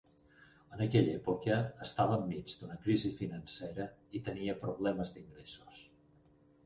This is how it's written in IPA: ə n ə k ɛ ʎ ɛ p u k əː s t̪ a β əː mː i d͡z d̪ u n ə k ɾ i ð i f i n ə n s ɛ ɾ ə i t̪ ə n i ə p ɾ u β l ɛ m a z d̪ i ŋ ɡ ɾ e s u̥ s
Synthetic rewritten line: ə n ə k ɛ ʎ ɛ p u k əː s t̪ a β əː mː i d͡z d̪ u n ə k ɾ i z i f i n ə n s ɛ ɾ ə i t̪ ə n i ə p ɾ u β l ɛ m ə z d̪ i ŋ ɡ ɾ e s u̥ s